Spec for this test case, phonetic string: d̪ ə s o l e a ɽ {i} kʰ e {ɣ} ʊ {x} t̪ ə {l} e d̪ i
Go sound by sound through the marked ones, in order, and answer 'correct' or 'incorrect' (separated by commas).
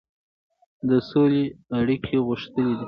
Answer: correct, correct, incorrect, correct